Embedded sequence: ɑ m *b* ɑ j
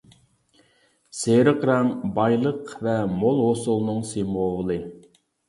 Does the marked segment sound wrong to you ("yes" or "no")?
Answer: no